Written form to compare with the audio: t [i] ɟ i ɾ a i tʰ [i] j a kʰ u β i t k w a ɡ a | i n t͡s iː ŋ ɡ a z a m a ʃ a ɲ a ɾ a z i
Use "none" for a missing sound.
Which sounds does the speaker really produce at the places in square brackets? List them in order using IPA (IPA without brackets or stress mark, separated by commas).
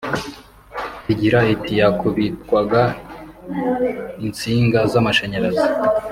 i, i